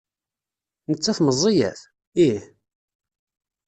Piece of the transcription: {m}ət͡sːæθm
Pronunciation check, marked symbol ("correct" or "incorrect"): incorrect